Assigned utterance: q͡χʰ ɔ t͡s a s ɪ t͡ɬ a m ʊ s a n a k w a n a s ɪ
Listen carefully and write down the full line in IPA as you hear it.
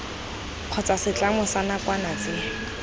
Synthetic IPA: q͡χʰ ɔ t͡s a s ɪ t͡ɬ a m ʊ s a n a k w a n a t͡s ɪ